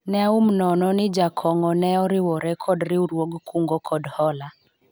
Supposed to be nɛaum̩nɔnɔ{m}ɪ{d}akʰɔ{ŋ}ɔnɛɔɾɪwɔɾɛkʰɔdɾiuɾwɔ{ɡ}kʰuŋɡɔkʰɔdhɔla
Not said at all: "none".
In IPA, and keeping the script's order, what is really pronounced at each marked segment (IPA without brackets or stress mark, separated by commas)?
n, d͡ʒ, ŋ, ɡ